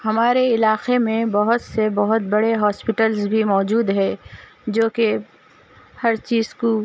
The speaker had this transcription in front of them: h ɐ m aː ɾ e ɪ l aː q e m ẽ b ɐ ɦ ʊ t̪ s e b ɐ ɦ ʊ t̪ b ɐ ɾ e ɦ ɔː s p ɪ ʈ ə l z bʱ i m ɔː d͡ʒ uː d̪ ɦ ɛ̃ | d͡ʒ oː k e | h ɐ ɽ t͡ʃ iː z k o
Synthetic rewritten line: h ɐ m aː ɾ e ɪ l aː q e m ẽ b ɐ ɦ ʊ t̪ s e b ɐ ɦ ʊ t̪ b ɐ ɽ e ɦ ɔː s p ɪ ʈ ə l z bʱ i m ɔː d͡ʒ uː d̪ ɦ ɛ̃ | d͡ʒ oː k e | h ɐ ɾ t͡ʃ iː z k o